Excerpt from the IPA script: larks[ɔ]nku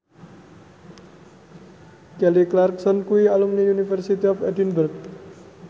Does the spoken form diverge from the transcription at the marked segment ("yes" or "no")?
no